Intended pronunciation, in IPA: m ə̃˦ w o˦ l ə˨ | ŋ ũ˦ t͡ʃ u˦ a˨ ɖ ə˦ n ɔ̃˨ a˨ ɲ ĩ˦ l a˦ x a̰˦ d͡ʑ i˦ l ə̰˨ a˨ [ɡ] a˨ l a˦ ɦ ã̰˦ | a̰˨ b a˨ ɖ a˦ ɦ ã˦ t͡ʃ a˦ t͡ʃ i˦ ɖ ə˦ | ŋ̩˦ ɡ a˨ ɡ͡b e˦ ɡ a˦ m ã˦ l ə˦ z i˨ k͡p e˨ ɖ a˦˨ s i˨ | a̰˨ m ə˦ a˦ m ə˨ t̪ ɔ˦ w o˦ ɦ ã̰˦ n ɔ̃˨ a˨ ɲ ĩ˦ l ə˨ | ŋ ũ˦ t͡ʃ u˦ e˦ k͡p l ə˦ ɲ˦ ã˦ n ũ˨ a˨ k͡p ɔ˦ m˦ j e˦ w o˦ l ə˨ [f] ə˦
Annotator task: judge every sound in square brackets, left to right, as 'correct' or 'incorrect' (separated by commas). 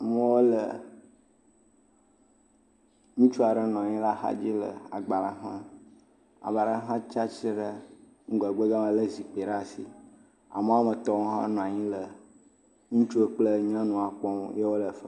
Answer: incorrect, correct